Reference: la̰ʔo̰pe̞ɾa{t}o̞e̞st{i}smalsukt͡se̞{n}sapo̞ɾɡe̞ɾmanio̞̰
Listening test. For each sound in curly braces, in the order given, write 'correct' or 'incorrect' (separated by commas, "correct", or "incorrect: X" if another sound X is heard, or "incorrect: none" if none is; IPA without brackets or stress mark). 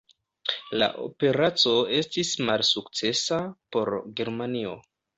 incorrect: t͡s, correct, incorrect: none